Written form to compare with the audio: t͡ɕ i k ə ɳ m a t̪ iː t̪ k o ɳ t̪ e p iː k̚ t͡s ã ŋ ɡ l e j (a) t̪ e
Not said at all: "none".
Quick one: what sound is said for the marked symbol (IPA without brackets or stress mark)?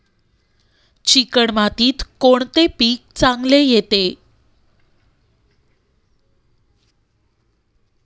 e